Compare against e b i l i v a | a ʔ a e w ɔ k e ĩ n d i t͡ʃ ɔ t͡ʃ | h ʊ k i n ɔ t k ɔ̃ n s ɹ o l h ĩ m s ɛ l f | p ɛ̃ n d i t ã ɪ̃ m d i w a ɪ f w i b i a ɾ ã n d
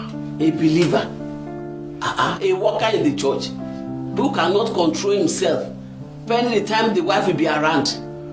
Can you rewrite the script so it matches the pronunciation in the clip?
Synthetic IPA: e b i l i v a | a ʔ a e w ɔ k a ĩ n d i t͡ʃ ɔ t͡ʃ | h u k a n ɔ t k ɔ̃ n t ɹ o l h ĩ m s ɛ l f | p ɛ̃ n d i t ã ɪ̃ m d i w a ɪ f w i b i a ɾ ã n d